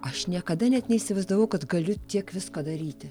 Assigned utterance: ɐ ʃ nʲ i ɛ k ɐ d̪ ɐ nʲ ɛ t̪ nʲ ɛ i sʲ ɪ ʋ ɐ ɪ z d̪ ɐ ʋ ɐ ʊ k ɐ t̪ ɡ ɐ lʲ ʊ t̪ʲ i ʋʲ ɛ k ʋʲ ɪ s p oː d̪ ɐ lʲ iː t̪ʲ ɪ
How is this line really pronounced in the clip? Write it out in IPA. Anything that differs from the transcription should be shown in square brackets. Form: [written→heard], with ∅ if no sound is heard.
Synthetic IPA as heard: ɐ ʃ nʲ i ɛ k ɐ d̪ ɐ nʲ ɛ t̪ nʲ ɛ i sʲ ɪ ʋ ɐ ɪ z d̪ ɐ ʋ ɐ ʊ k ɐ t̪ ɡ ɐ lʲ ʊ t̪ʲ i [ʋʲ→∅] ɛ k ʋʲ ɪ s [p→k] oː d̪ ɐ [lʲ→ɾʲ] iː t̪ʲ ɪ